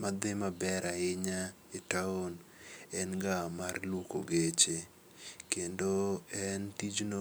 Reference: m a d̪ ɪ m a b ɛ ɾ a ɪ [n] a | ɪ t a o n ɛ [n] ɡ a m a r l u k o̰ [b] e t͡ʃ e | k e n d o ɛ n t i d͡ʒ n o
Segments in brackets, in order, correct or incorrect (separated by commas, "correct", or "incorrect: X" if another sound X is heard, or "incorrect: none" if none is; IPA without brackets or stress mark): incorrect: ɲ, correct, incorrect: ɡ